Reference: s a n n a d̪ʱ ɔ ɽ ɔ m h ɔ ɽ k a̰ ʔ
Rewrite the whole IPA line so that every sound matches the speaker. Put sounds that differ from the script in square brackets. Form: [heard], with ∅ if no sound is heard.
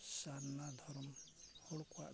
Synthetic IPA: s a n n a d̪ʱ ɔ [ɾ] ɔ m h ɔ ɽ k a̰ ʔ